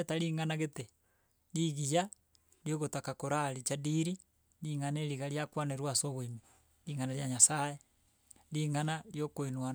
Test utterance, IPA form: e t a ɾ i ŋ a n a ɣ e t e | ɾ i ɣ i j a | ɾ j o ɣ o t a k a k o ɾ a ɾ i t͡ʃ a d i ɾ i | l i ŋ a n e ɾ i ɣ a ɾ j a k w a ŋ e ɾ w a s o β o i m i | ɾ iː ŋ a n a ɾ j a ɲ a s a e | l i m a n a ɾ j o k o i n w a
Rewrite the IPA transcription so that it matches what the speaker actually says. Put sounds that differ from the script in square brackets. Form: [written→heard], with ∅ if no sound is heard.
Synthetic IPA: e t a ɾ i ŋ a n a ɣ e t e | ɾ i ɣ i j a | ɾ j o ɣ o t a k a k o ɾ a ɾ i t͡ʃ a d i ɾ i | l i ŋ a n e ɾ i ɣ a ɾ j a k w a [ŋ→n] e ɾ w a s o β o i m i | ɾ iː ŋ a n a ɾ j a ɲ a s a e | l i [m→ŋ] a n a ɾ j o k o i n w a